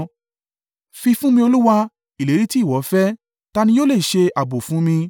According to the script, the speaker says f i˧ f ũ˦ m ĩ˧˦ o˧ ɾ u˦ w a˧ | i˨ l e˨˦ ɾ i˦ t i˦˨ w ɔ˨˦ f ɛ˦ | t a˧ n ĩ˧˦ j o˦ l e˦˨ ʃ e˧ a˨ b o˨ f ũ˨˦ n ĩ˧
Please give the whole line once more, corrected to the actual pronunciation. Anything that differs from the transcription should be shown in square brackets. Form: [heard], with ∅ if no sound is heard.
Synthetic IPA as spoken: f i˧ f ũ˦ m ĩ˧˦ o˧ [l] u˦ w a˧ | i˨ l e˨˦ ɾ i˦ t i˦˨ w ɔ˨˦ f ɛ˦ | t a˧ n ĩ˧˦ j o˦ l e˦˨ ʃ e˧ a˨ b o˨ f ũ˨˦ [m] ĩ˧

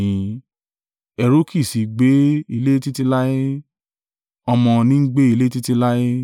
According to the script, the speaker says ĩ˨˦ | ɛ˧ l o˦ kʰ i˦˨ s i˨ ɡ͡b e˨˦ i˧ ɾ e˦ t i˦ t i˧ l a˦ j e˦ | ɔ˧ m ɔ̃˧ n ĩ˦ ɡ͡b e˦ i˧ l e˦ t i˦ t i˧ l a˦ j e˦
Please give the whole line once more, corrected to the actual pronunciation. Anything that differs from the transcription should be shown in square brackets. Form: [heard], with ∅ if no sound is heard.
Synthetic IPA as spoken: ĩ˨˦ | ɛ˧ [ɾ] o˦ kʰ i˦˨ s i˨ ɡ͡b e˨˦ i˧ [l] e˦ t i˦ t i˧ l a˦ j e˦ | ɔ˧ m ɔ̃˧ n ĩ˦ ɡ͡b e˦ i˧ l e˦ t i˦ t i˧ l a˦ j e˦

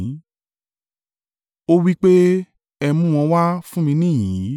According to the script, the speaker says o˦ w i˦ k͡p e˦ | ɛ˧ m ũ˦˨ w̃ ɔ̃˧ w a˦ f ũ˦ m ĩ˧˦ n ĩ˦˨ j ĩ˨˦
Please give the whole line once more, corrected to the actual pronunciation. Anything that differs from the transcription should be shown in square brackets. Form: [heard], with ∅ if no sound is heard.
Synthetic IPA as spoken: o˦ w i˦ k͡p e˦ | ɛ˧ m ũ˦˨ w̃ ɔ̃˧ w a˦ f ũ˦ m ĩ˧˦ n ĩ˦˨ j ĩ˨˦

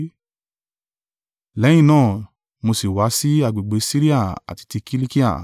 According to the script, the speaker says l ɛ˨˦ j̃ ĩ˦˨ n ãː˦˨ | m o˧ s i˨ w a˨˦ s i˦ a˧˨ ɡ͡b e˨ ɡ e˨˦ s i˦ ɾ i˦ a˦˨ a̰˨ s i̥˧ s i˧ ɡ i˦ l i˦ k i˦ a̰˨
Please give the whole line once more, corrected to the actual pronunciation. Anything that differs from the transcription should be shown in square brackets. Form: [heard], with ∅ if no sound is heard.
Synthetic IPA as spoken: l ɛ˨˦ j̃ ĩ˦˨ n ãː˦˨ | m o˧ s i˨ w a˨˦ s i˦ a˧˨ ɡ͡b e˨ [ɡ͡b] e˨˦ s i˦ ɾ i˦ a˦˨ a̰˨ [t] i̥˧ [t] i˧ [k] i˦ l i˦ k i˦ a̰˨

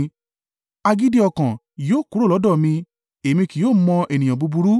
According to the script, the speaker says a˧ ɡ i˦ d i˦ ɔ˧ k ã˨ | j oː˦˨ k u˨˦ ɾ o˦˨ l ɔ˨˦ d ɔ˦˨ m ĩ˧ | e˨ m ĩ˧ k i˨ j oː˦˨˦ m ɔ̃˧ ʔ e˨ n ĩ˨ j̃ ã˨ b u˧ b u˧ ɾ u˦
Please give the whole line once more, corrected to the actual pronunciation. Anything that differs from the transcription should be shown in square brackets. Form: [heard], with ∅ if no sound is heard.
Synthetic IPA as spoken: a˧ ɡ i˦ d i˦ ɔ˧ k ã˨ | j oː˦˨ k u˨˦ ɾ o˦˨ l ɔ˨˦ d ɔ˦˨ m ĩ˧ | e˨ m ĩ˧ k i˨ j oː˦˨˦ m ɔ̃˧ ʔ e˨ n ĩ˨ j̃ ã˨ b u˧ b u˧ ɾ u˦

